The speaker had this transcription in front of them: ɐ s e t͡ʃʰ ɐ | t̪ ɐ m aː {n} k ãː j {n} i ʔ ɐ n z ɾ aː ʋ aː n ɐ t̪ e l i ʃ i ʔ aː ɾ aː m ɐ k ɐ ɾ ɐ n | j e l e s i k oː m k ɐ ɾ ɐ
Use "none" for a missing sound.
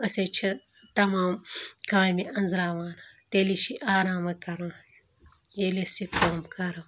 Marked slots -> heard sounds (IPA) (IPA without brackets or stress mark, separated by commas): m, m